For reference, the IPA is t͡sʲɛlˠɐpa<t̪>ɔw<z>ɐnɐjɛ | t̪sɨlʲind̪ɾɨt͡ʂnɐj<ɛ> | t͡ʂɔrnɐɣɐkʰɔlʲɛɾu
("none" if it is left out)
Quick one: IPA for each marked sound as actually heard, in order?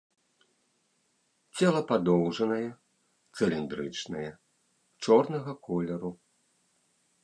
d̪, ʐ, ɛ

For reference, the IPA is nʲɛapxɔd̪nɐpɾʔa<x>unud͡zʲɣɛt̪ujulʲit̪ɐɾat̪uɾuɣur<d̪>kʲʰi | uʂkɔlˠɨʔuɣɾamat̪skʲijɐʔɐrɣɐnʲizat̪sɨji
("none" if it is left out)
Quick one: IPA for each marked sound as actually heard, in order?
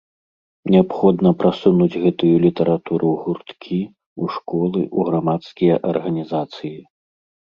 s, t̪

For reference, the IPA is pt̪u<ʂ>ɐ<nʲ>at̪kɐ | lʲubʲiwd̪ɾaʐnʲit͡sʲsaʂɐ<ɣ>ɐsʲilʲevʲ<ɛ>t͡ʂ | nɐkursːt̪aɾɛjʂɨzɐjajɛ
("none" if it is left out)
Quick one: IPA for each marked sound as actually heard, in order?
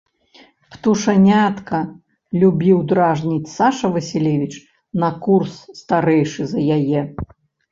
ʂ, nʲ, v, i

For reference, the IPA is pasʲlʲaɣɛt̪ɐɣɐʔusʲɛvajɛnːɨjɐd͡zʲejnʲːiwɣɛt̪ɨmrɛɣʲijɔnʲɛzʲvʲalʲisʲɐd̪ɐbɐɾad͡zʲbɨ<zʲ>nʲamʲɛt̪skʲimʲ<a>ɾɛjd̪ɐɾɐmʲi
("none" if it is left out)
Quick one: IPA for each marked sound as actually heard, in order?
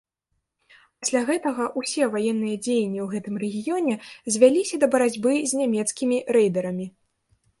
zʲ, i

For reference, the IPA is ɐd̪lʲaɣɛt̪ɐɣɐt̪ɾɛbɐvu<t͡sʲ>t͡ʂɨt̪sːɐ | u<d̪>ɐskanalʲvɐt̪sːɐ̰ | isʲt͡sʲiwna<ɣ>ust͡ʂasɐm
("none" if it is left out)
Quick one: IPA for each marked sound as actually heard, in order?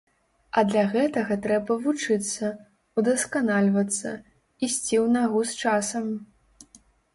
none, d̪, ɣ

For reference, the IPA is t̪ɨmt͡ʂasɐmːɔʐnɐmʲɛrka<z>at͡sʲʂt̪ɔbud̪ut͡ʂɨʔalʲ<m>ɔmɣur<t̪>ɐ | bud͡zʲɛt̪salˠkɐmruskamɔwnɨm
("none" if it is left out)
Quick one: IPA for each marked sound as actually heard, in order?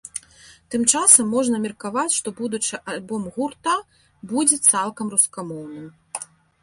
v, b, t̪

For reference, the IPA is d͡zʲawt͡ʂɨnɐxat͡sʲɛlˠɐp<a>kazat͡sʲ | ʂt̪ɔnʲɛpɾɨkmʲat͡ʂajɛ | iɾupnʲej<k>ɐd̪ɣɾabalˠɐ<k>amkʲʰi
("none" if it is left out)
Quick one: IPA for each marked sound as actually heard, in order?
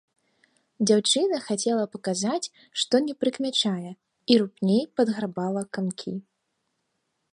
ɐ, p, k

